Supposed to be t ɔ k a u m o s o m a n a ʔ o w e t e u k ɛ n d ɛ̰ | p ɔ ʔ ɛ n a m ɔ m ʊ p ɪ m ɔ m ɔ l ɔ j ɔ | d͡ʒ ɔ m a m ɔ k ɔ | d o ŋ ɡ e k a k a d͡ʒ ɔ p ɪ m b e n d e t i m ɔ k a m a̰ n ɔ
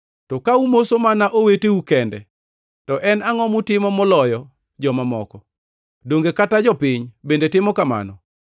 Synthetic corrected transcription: t ɔ k a u m o s o m a n a ʔ o w e t e u k ɛ n d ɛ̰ | t ɔ ʔ ɛ n a ŋ ɔ m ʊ t ɪ m ɔ m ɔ l ɔ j ɔ | d͡ʒ ɔ m a m ɔ k ɔ | d o ŋ ɡ e k a t a d͡ʒ ɔ p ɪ ɲ b e n d e t ɪ m ɔ k a m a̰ n ɔ

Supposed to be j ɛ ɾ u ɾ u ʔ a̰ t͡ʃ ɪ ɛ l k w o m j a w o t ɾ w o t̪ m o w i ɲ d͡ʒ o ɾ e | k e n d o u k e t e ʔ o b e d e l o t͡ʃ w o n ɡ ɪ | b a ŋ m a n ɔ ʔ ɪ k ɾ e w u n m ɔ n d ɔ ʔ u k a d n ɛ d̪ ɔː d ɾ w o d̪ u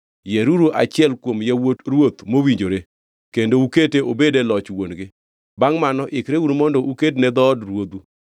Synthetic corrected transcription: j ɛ ɾ u ɾ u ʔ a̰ t͡ʃ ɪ ɛ l k w o m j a w o t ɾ w o t̪ m o w i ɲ d͡ʒ o ɾ e | k e n d o u k e t e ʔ o b e d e l ɔ t͡ʃ w o n ɡ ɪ | b a ŋ m a n ɔ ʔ ɪ k ɾ e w u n m ɔ n d ɔ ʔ u k e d n ɛ d̪ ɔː d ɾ w o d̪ u

